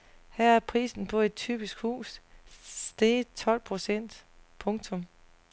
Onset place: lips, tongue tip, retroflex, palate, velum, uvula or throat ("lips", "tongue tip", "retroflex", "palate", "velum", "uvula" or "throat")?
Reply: throat